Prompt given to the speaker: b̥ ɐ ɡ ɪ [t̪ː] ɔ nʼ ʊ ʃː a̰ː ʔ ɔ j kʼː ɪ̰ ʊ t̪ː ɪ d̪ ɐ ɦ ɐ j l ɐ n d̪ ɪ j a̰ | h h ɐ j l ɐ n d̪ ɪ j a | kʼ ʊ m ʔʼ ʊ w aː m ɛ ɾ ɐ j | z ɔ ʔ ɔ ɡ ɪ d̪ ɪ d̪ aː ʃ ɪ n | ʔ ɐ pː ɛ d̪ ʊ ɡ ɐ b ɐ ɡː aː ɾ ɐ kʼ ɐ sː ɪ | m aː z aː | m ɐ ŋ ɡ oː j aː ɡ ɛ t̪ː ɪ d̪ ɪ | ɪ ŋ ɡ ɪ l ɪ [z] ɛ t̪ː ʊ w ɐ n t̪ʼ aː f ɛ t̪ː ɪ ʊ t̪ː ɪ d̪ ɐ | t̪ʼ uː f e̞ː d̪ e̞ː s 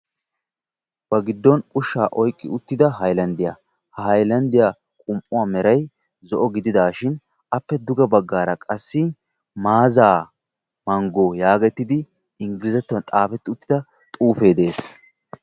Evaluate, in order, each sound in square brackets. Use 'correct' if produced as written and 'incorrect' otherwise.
incorrect, correct

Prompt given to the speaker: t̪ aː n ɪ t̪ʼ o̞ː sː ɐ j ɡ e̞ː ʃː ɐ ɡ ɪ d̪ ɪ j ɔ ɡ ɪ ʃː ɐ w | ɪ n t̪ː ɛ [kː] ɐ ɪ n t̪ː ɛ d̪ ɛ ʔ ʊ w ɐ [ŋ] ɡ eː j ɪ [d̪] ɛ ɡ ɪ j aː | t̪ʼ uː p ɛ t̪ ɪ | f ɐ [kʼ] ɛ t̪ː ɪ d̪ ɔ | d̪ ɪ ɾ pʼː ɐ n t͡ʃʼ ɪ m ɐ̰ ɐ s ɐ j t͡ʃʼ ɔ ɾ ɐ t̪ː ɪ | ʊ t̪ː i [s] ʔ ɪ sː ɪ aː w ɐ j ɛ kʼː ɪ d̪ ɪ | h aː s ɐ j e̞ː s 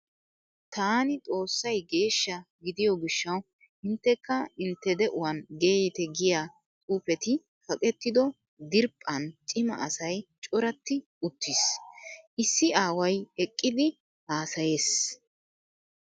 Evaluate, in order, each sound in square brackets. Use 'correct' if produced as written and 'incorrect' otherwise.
correct, incorrect, incorrect, correct, correct

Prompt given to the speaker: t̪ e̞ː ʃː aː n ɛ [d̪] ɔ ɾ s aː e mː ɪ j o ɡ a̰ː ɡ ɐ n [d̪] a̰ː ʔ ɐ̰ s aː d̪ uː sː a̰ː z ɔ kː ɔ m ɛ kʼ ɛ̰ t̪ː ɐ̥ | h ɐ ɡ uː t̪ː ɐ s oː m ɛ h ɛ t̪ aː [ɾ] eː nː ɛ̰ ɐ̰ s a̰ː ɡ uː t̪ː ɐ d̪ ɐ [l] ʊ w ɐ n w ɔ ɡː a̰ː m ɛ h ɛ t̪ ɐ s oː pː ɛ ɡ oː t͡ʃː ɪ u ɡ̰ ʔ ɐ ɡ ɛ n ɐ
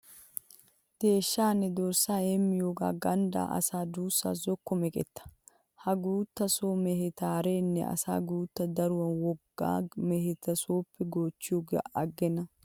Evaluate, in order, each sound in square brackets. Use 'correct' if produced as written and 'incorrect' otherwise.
correct, correct, correct, incorrect

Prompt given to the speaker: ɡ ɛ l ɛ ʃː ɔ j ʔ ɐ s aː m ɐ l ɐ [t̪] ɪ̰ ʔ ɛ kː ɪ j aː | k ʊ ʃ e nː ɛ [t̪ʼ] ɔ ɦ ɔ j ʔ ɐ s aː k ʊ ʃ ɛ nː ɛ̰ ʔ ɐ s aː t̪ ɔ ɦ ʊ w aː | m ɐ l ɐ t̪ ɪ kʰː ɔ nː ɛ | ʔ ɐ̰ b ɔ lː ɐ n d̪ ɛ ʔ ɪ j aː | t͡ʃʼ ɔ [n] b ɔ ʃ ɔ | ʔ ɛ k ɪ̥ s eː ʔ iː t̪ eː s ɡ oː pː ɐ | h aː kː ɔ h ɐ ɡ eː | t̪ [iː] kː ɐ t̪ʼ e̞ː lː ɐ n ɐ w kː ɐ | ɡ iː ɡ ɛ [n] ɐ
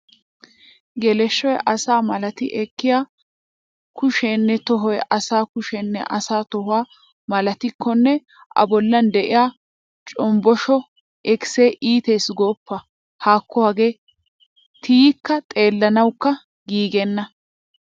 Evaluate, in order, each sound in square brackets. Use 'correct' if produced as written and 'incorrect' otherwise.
correct, incorrect, incorrect, correct, incorrect

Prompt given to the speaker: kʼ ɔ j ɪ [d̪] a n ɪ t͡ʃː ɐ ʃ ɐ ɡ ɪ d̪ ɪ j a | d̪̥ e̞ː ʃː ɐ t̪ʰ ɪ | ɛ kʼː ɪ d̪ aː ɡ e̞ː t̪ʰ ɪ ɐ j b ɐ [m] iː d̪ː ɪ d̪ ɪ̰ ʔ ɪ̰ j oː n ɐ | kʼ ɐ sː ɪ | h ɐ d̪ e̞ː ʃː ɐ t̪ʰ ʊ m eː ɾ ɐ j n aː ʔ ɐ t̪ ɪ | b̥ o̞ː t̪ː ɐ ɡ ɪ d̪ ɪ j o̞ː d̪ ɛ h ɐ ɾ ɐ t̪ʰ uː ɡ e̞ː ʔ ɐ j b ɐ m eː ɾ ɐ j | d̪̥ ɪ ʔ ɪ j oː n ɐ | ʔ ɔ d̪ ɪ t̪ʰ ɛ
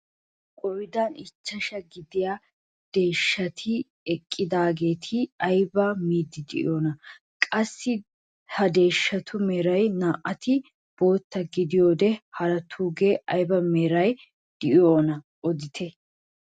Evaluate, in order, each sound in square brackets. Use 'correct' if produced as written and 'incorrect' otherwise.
correct, correct

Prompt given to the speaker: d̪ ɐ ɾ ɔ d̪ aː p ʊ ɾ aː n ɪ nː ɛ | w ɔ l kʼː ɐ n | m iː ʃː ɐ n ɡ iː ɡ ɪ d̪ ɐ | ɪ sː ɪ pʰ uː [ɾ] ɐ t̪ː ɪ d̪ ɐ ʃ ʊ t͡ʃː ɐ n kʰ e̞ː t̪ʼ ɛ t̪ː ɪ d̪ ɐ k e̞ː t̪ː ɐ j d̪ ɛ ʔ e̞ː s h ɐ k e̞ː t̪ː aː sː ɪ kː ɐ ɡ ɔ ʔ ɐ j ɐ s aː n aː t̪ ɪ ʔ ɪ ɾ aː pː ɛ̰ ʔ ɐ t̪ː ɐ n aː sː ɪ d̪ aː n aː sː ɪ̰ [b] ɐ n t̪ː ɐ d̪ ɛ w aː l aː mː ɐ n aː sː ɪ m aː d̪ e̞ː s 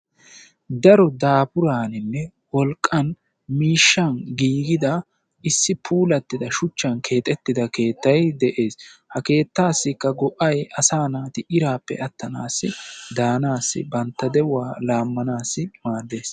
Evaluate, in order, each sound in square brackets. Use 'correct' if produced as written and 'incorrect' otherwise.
incorrect, correct

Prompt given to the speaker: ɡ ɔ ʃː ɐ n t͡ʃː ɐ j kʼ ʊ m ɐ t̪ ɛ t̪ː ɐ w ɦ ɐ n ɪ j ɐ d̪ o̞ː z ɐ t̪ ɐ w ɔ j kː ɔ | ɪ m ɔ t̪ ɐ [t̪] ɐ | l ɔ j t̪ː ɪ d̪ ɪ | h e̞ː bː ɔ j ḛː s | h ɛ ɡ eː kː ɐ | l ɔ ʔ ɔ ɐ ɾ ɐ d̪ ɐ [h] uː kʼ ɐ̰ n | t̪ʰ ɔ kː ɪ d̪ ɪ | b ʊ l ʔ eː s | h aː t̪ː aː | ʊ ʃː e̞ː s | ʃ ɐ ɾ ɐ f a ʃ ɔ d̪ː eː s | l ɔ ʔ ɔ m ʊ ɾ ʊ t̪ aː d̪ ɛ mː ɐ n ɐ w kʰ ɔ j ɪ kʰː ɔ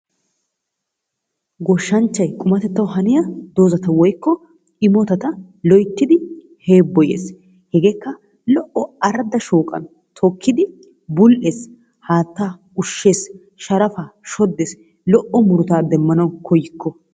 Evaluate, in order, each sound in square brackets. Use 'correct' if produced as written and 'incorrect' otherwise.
correct, incorrect

